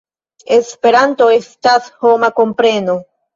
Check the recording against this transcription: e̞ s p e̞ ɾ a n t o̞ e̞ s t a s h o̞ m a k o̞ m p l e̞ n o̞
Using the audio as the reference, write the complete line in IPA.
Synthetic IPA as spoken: e̞ s p e̞ ɾ a n t o̞ e̞ s t a s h o̞ m a k o̞ m p ɾ e̞ n o̞